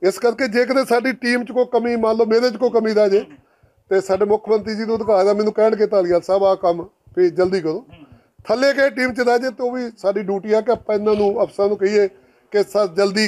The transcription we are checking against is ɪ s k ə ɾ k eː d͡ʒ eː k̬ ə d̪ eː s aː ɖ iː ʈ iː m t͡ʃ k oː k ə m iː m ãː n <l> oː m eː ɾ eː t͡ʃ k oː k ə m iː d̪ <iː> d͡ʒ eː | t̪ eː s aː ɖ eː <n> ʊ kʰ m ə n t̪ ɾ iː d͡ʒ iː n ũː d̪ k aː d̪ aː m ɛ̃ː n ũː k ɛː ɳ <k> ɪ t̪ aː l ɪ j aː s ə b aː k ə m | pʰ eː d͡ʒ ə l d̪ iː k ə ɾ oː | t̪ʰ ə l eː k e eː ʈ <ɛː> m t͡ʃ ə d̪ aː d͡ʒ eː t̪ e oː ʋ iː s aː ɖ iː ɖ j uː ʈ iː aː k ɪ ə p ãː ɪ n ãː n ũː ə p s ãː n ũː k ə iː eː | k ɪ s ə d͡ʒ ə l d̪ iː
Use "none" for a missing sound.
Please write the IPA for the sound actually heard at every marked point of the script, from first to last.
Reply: l, aː, m, k, iː

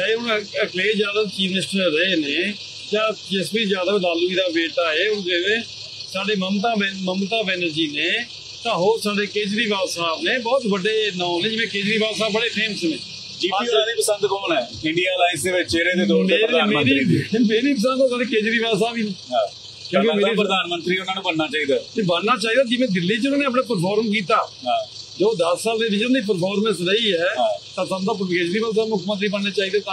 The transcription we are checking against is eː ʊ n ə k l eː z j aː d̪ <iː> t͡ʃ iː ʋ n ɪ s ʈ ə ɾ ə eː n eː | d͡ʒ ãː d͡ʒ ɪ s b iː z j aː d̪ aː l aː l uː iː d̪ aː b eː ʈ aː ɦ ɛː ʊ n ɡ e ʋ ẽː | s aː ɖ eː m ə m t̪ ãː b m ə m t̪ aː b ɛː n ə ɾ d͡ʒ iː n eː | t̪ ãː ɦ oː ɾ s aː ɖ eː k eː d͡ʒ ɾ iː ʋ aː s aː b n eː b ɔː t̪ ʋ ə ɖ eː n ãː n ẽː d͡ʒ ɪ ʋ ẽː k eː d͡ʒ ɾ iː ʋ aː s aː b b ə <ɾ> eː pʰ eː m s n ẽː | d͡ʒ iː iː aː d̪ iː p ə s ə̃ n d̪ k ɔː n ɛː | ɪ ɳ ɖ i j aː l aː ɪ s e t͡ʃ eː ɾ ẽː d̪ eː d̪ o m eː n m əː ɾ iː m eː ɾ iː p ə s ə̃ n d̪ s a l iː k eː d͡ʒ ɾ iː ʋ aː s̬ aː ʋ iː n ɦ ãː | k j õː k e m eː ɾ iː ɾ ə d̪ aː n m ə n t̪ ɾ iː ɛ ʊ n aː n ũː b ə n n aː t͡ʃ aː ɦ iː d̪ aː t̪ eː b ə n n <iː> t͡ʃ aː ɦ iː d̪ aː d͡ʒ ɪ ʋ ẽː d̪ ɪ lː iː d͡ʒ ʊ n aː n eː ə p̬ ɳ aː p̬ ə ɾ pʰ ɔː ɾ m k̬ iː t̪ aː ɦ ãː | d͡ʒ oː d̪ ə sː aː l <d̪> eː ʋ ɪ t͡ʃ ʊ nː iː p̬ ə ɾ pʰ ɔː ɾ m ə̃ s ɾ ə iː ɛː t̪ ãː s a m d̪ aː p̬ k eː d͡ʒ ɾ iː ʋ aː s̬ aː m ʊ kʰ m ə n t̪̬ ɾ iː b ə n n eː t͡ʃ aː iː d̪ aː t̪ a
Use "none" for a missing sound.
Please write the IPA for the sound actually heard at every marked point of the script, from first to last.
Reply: aː, ɽ, aː, d̪

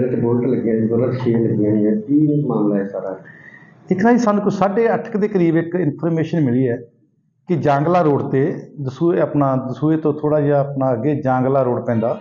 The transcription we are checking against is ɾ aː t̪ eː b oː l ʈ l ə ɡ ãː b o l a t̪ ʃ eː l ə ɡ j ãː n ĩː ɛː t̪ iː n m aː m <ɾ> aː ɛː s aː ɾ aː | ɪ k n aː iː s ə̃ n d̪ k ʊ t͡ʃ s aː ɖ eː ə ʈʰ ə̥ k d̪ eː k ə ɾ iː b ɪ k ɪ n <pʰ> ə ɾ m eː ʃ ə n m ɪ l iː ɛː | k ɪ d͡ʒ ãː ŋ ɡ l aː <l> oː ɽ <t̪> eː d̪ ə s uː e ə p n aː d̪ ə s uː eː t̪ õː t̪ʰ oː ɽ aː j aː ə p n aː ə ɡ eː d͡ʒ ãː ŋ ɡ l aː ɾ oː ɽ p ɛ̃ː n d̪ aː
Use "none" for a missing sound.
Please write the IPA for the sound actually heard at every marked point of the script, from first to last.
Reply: l, pʰ, ɾ, t̪

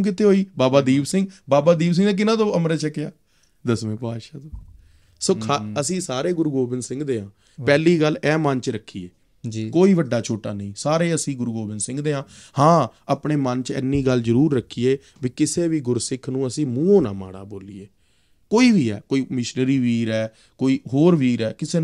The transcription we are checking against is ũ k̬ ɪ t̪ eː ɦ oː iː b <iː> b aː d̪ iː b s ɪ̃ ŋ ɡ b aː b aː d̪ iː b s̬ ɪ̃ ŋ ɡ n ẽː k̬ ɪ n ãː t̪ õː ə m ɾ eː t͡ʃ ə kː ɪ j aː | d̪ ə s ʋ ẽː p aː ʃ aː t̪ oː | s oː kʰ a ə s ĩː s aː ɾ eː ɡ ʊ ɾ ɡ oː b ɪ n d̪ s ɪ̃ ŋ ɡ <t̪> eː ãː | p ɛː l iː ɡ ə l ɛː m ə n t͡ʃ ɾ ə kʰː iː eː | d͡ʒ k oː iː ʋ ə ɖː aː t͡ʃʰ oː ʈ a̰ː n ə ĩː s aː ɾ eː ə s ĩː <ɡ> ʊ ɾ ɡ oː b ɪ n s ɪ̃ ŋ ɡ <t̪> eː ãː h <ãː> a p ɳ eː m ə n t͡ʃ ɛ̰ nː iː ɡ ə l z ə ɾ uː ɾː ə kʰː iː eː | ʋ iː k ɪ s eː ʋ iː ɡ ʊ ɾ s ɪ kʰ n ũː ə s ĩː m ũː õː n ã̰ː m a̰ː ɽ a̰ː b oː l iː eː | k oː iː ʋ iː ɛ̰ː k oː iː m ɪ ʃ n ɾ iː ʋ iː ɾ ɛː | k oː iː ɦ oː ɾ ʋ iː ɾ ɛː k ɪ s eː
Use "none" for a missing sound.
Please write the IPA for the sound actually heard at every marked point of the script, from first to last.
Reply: aː, d̪, ɡ, d̪, ãː

